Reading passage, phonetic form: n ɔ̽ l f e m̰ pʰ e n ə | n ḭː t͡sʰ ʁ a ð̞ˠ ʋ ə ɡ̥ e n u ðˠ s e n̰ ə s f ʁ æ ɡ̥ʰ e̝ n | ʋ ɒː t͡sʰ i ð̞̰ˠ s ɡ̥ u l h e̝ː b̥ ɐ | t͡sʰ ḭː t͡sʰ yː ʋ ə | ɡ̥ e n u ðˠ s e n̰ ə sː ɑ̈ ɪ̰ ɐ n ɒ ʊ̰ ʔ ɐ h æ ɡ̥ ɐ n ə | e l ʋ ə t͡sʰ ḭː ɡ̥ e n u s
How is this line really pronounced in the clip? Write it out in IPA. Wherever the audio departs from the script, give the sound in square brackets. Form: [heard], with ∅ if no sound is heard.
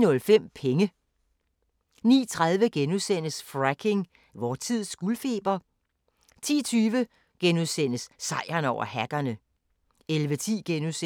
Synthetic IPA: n ɔ̽ l f e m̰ pʰ e [ŋ] ə | n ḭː t͡sʰ ʁ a ð̞ˠ ʋ ə ɡ̥ e n u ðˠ s e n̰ ə s f ʁ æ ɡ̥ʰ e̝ [ŋ] | ʋ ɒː t͡sʰ i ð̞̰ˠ s ɡ̥ u l [f] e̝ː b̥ ɐ | t͡sʰ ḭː t͡sʰ yː ʋ ə | ɡ̥ e n u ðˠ s e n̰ ə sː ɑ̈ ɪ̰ ɐ n ɒ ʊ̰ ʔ ɐ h æ ɡ̥ ɐ n ə | e l ʋ ə t͡sʰ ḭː ɡ̥ e n u s